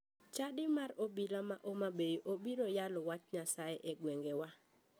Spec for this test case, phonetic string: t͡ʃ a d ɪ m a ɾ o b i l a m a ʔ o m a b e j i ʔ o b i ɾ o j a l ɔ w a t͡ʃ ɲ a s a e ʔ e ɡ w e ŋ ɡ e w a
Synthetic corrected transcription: t͡ʃ a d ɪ m a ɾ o b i l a m a ʔ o m a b e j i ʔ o b i ɾ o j a l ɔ w a t͡ʃ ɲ a s a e ʔ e ɡ w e ŋ ɡ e w a